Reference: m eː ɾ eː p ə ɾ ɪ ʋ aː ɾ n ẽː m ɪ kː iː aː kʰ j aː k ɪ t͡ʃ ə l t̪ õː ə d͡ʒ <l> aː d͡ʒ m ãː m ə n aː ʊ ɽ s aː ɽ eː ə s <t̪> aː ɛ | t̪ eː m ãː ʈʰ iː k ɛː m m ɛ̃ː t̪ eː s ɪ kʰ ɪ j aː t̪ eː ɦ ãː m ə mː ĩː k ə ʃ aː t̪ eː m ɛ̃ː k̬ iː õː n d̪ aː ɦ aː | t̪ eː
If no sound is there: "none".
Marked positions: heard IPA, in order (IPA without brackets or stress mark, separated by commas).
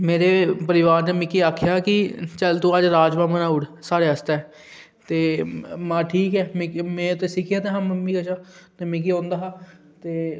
ɾ, t̪